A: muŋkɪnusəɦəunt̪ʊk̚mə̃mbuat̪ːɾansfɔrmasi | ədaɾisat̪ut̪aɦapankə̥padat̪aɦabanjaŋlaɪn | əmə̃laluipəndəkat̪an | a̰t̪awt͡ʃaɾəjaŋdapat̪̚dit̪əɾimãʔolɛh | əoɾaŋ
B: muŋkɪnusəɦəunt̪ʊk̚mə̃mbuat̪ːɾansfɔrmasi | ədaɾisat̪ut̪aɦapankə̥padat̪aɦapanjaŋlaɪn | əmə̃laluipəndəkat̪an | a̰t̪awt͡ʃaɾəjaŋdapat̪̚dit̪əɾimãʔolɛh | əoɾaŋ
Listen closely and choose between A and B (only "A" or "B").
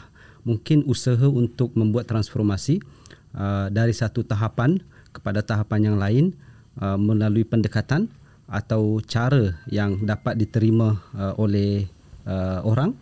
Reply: B